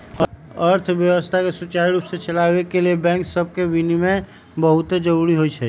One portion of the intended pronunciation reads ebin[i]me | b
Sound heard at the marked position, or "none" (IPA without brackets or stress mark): i